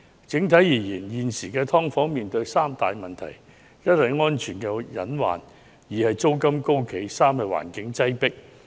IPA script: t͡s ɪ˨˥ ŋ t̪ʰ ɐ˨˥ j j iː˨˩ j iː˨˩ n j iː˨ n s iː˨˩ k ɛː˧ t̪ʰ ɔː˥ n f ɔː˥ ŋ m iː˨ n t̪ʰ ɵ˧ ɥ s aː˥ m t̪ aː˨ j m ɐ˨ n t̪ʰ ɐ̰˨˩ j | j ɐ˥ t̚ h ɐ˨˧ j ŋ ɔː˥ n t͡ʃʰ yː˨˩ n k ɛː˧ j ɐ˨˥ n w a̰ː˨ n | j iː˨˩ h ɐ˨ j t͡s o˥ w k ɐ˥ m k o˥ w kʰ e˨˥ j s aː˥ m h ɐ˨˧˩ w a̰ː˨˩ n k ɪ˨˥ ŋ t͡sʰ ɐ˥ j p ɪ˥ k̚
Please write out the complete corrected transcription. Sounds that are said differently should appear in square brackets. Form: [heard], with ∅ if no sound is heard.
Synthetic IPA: t͡s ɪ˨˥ ŋ t̪ʰ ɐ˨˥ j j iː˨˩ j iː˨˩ n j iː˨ n s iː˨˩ k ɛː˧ t̪ʰ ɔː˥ [ŋ] f [ɔː˨˥] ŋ m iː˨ n [t̪] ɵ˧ ɥ s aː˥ m t̪ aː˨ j m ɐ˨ n t̪ʰ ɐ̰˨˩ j | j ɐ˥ t̚ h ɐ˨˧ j ŋ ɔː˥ n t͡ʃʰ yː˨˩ n k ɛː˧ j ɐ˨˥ n w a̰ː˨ n | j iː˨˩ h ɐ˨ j t͡s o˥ w k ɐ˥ m k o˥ w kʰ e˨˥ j s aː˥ m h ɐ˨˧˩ w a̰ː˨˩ n k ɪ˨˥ ŋ [t͡s] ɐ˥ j p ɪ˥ k̚